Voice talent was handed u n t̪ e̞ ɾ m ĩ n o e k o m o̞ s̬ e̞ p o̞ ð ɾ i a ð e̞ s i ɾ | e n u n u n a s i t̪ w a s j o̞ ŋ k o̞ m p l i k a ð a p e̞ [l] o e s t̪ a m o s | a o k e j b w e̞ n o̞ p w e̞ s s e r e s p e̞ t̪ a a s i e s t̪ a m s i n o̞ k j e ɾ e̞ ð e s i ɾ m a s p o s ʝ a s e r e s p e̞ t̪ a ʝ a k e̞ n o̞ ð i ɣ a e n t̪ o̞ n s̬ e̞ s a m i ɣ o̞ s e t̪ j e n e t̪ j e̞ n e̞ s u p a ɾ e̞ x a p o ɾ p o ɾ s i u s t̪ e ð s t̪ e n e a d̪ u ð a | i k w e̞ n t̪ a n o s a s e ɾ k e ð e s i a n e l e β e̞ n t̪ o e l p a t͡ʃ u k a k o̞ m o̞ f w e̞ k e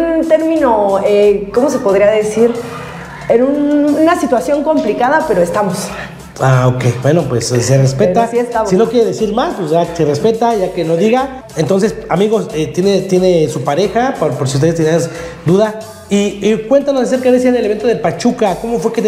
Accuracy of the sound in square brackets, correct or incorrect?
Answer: incorrect: ɾ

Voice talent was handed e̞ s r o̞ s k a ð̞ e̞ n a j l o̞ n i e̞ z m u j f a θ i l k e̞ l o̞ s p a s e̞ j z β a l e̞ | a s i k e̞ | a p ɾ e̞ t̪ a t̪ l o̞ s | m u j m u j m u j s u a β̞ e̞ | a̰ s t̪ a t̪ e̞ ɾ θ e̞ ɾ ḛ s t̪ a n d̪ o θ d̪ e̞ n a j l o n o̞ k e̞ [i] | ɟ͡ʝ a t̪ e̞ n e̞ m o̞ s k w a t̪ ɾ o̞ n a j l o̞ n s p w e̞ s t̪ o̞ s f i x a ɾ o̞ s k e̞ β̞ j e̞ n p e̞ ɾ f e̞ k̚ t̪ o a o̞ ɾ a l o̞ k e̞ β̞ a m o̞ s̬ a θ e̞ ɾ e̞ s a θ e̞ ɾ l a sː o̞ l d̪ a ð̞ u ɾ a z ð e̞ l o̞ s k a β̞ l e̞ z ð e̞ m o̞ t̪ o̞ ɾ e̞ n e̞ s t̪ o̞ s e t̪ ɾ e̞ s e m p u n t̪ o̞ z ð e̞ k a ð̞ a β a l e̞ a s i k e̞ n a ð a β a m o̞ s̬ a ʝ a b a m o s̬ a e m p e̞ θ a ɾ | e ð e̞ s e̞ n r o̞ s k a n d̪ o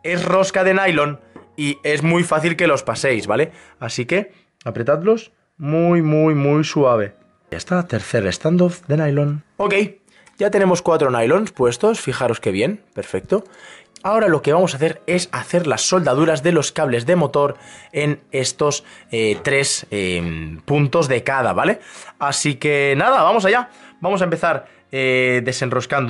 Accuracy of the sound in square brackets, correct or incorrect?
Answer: incorrect: j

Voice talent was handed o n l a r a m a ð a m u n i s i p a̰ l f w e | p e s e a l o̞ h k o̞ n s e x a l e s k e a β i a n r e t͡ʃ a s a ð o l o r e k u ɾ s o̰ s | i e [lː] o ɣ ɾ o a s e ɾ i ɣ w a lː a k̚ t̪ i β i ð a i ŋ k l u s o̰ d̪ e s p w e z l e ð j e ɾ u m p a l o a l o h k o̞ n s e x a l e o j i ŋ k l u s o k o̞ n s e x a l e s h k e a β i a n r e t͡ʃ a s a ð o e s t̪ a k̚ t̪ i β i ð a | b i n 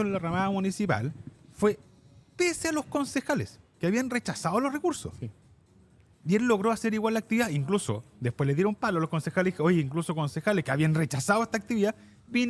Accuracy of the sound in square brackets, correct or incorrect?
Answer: correct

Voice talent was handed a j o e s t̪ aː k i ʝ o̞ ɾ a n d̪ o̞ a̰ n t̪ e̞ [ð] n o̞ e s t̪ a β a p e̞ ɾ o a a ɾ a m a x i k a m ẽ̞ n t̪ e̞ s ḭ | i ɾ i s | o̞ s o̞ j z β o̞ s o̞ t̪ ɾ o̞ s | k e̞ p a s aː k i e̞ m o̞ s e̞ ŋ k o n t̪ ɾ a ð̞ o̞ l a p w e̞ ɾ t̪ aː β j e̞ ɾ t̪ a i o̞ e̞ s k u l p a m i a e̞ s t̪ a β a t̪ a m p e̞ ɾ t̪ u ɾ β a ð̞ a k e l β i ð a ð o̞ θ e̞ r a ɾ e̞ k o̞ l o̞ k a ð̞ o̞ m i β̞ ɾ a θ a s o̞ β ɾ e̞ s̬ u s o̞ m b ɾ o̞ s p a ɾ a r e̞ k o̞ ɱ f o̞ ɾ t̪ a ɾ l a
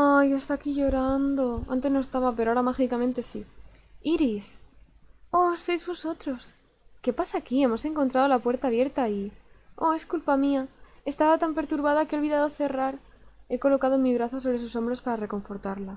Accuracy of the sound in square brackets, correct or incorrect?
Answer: incorrect: z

